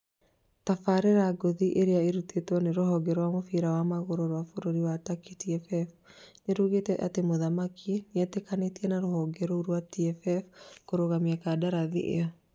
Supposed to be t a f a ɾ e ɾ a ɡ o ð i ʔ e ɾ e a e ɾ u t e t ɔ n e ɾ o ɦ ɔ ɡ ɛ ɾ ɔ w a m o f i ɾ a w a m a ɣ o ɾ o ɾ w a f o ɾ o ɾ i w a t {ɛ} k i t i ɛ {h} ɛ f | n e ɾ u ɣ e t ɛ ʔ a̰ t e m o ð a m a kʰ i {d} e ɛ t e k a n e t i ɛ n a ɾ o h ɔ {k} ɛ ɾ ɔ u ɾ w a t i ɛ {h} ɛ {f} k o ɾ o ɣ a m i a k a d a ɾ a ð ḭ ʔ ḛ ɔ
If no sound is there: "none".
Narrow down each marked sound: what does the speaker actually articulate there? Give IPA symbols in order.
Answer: a, f, n, ɡ, f, f

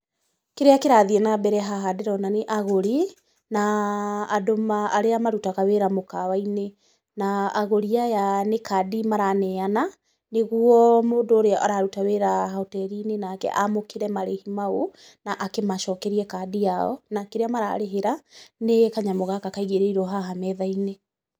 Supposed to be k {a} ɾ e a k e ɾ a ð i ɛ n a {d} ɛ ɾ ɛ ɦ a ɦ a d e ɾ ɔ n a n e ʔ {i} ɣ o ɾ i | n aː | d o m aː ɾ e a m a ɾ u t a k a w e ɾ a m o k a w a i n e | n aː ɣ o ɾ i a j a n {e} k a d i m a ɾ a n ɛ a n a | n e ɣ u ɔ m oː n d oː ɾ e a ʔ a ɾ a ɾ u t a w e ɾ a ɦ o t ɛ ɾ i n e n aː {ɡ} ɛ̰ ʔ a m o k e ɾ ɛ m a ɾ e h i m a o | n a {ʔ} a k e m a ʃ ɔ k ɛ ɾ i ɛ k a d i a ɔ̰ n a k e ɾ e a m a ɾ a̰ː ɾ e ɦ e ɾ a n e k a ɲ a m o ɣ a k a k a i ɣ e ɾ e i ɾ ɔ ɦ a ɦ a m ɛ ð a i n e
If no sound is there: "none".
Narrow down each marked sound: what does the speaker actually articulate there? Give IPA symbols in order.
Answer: e, b, a, e, k, ʔ

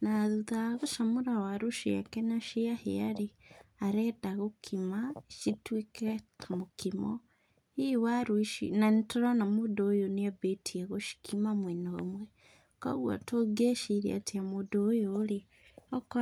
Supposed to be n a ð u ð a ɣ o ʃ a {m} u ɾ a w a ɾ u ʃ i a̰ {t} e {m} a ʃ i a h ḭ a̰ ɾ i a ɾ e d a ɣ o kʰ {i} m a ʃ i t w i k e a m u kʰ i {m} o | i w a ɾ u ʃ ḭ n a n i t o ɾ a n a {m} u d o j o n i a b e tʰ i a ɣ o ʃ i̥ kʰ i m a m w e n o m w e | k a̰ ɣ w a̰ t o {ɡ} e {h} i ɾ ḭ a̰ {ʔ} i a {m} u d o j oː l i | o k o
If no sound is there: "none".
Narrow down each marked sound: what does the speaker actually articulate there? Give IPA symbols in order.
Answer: m, k, n, i, m, m, ɡ, ʃ, t, m

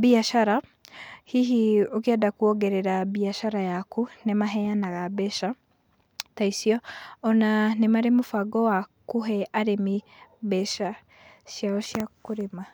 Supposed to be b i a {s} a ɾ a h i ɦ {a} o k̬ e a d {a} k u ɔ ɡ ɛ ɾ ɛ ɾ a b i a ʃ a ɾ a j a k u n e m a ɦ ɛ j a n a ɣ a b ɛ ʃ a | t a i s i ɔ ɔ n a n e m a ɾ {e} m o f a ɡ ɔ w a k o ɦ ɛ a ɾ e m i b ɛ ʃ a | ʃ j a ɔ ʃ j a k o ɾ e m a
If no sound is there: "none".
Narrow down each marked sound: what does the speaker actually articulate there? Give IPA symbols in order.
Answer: ʃ, i, a, e

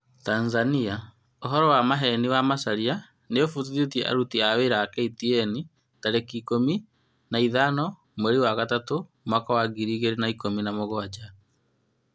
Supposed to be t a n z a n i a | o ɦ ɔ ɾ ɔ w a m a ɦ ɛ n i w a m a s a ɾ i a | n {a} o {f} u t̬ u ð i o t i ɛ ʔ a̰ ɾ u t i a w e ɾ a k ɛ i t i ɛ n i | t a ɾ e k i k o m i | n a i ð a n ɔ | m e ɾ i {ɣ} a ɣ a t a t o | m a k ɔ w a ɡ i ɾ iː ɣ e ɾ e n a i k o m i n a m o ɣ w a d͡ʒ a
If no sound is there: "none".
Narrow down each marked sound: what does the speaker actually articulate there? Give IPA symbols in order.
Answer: e, f, w

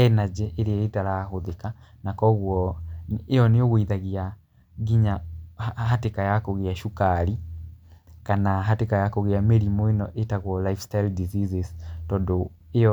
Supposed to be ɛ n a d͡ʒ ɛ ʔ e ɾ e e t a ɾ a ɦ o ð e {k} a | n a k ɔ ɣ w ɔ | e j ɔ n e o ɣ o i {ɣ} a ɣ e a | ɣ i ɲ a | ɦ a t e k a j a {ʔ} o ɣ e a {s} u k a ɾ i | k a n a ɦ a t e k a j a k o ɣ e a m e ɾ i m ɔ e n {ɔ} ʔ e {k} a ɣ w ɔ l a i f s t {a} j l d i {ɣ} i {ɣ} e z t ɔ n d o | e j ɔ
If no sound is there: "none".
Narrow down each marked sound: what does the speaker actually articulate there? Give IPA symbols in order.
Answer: k, ð, k, ʃ, ɔ, t, a, z, z

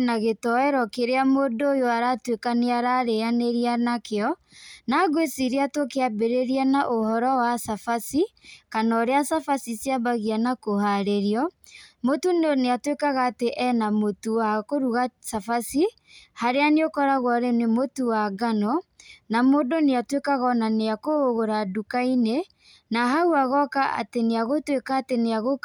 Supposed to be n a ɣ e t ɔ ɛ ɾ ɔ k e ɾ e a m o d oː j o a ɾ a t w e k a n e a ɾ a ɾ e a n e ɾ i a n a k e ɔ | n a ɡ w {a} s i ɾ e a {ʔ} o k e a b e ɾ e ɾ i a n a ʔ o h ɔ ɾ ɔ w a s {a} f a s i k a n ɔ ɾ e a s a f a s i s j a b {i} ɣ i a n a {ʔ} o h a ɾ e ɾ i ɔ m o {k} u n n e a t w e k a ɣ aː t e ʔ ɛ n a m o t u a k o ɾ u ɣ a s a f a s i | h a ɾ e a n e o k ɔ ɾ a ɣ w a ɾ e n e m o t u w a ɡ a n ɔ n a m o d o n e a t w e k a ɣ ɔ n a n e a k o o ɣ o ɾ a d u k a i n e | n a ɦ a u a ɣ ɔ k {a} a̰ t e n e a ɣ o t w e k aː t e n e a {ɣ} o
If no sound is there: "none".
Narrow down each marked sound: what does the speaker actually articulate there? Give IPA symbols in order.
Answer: e, t, a, a, k, t, a, ɣ

